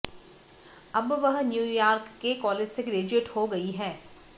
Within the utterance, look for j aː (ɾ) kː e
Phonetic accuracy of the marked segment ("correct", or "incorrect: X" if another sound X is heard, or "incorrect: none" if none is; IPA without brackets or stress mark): correct